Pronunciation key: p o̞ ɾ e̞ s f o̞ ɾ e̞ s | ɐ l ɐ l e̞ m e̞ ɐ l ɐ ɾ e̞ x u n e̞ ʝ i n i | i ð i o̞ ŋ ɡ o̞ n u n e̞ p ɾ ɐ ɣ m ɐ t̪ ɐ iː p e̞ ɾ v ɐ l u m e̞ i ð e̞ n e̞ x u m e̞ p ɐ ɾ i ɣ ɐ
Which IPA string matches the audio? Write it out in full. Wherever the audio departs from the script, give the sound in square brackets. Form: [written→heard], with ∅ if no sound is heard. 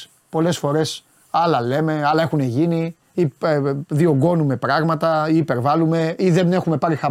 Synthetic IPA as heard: p o̞ [ɾ→l] e̞ s f o̞ ɾ e̞ s | ɐ l ɐ l e̞ m e̞ ɐ l ɐ [ɾ→∅] e̞ x u n e̞ ʝ i n i | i ð i o̞ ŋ ɡ o̞ n u [n→m] e̞ p ɾ ɐ ɣ m ɐ t̪ ɐ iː p e̞ ɾ v ɐ l u m e̞ i ð e̞ n e̞ x u m e̞ p ɐ ɾ i [ɣ→x] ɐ